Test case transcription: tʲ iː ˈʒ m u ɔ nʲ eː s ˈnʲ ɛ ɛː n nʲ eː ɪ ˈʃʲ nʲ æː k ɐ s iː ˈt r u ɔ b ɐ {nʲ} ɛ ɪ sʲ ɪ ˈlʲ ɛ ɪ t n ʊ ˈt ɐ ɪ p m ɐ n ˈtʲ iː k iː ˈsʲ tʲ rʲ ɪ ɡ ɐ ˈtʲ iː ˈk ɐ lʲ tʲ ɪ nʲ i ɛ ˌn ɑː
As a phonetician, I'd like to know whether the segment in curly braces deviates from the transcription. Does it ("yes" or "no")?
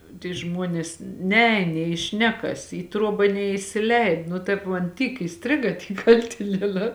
no